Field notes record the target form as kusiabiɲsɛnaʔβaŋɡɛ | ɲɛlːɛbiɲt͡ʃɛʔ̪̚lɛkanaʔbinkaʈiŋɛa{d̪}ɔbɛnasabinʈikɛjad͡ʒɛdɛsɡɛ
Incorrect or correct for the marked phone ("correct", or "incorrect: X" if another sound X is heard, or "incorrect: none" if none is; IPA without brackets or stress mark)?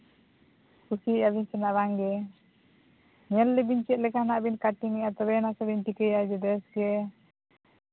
incorrect: t̪